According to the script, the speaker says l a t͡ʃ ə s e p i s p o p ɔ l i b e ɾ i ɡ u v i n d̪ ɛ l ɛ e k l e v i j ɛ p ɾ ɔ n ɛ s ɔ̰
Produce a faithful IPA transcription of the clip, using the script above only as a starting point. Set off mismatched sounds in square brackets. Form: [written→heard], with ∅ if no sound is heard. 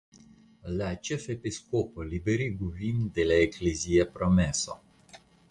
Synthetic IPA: l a t͡ʃ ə [s→f] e p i s [p→k] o p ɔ l i b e ɾ i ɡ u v i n d̪ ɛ l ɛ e k l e [v→z] i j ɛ p ɾ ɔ [n→m] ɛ s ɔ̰